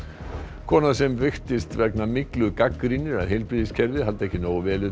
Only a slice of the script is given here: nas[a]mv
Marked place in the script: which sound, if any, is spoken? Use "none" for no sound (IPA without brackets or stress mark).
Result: ɛ